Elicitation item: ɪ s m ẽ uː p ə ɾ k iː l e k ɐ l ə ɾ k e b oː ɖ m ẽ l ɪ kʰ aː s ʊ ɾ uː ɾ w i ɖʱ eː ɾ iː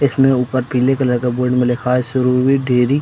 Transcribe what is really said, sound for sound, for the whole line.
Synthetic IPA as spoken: ɪ s m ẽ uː p ə ɾ p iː l e k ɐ l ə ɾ k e b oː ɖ m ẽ l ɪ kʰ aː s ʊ ɾ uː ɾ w i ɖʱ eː ɾ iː